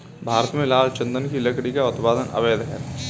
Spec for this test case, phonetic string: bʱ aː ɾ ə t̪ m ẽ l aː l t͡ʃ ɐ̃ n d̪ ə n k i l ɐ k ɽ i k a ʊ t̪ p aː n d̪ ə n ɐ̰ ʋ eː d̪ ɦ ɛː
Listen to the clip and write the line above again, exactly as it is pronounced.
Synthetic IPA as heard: bʱ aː ɾ ə t̪ m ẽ l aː l t͡ʃ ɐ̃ n d̪ ə n k i l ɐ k ɽ i k a ʊ t̪ p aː d̪ ə n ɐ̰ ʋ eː d̪ ɦ ɛː